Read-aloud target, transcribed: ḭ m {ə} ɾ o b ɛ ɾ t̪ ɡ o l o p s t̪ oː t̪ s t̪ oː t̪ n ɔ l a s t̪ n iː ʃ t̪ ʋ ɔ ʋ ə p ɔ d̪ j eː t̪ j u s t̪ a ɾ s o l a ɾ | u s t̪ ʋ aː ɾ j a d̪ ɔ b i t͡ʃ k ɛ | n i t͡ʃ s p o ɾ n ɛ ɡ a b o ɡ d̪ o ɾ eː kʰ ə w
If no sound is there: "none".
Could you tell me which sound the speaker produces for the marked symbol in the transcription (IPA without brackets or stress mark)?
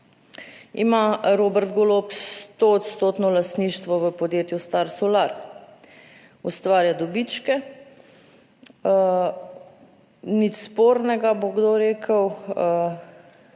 a